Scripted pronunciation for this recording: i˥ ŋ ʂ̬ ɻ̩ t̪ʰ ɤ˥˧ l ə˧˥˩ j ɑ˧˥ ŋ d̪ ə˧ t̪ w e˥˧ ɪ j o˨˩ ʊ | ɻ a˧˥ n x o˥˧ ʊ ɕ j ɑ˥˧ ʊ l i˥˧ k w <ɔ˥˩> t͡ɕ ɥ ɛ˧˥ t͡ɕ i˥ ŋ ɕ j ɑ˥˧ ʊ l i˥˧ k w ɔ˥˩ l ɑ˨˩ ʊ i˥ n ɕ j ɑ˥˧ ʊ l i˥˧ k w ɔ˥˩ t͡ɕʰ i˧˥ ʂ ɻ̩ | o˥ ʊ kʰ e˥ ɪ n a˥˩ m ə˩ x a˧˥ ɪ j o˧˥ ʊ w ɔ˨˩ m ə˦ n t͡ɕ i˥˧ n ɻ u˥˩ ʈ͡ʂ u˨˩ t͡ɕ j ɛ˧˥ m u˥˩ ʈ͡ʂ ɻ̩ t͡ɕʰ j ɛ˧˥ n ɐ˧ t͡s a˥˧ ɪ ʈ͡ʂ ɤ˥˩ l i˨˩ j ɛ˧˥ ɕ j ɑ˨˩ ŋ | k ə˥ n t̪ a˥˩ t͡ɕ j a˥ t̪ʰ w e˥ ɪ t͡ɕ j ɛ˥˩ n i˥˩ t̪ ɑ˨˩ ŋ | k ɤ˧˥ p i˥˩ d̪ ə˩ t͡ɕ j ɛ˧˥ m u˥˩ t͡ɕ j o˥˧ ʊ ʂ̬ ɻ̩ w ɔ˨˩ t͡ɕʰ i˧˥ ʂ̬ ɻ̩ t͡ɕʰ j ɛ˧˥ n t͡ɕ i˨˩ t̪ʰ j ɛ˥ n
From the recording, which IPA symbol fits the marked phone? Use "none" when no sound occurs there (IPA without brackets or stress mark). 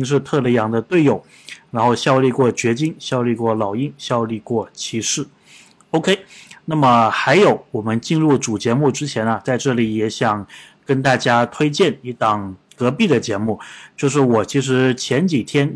ɔ˥˩